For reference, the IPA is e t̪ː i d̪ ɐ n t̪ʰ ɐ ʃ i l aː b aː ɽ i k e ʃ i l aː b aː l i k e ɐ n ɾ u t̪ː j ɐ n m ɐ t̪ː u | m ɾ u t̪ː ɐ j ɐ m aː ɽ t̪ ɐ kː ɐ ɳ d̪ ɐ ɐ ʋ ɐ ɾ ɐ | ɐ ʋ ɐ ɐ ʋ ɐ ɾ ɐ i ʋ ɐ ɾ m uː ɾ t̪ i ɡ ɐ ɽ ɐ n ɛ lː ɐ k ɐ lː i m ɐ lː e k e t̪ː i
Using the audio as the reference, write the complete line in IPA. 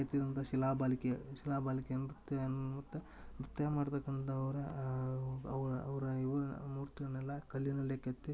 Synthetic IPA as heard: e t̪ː i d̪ ɐ n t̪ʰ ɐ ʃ i l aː b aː l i k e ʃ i l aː b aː l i k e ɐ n ɾ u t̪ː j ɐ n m ɐ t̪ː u | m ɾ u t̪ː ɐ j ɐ m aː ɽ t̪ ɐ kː ɐ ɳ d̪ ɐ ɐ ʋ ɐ ɾ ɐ | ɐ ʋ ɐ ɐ ʋ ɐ ɾ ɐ i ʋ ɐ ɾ m uː ɾ t̪ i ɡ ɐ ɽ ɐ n ɛ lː ɐ k ɐ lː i n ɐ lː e k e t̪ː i

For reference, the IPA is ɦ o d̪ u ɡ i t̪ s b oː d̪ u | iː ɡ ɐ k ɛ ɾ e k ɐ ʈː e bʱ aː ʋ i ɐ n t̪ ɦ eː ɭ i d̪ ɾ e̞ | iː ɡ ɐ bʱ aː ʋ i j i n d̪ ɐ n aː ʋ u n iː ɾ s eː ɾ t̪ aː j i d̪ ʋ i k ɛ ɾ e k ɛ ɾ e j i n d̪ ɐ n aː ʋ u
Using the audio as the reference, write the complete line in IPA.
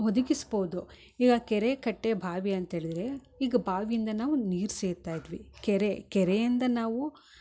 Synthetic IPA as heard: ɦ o d̪ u ɡ i s b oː d̪ u | iː ɡ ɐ k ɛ ɾ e k ɐ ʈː e bʱ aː ʋ i ɐ n t̪ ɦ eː ɭ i d̪ ɾ e̞ | iː ɡ ɐ bʱ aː ʋ i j i n d̪ ɐ n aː ʋ u n iː ɾ s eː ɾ t̪ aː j i d̪ ʋ i k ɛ ɾ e k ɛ ɾ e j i n d̪ ɐ n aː ʋ u

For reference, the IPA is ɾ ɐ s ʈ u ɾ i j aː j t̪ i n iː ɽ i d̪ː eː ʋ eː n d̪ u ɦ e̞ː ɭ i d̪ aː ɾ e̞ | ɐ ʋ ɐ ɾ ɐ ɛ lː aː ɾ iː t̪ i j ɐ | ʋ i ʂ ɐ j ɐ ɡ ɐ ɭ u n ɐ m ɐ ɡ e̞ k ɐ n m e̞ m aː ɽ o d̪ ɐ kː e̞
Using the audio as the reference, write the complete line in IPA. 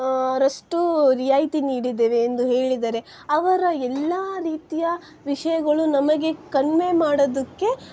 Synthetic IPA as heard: ɾ ɐ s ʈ u ɾ i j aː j t̪ i n iː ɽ i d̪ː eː ʋ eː n d̪ u ɦ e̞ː ɭ i d̪ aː ɾ e̞ | ɐ ʋ ɐ ɾ ɐ ɛ lː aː ɾ iː t̪ i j ɐ | ʋ i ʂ ɐ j ɐ ɡ ɐ ɭ u n ɐ m ɐ ɡ e̞ k ɐ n m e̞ m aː ɽ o d̪ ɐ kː e̞

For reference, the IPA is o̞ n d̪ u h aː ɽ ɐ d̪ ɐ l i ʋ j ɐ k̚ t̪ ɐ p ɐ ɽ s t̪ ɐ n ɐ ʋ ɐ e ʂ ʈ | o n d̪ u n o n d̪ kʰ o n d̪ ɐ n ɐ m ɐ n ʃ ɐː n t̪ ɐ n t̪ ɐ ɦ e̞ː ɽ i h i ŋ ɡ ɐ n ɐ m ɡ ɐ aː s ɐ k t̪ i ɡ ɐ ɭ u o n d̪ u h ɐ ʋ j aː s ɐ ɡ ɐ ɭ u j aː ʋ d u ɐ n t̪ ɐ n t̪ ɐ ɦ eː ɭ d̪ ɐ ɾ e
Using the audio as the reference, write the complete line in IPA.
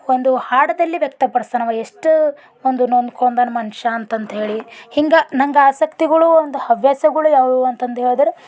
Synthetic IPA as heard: o̞ n d̪ u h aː ɽ ɐ d̪ ɐ lː i ʋ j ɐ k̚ t̪ ɐ p ɐ ɽ s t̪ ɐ n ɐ ʋ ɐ e ʂ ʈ | o n d̪ u n o n d̪ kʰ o n d̪ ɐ n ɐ m ɐ n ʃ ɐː n t̪ ɐ n t̪ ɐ ɦ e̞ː ɭ i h i ŋ ɡ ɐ n ɐ ŋ ɡ ɐ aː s ɐ k t̪ i ɡ ɐ ɭ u o n d̪ u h ɐ ʋ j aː s ɐ ɡ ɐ ɭ u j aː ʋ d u ɐ n t̪ ɐ n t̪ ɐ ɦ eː ɭ d̪ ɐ ɾ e

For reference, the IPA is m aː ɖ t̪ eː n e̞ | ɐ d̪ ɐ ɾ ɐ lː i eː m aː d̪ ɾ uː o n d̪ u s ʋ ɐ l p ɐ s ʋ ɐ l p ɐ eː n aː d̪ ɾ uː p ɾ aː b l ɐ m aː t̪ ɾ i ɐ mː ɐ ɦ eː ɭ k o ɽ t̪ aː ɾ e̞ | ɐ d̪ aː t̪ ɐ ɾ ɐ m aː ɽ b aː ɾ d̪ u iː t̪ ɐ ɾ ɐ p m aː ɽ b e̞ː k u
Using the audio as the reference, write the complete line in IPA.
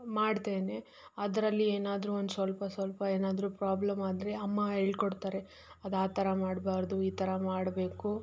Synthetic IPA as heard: m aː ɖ t̪ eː n e̞ | ɐ d̪ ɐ ɾ ɐ lː i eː n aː d̪ ɾ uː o n d̪ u s ʋ ɐ l p ɐ s ʋ ɐ l p ɐ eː n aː d̪ ɾ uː p ɾ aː b l ɐ m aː d̪ ɾ e ɐ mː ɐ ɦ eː ɭ k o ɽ t̪ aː ɾ e̞ | ɐ d̪ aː t̪ ɐ ɾ ɐ m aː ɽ b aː ɾ d̪ u iː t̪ ɐ ɾ ɐ m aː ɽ b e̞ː k u

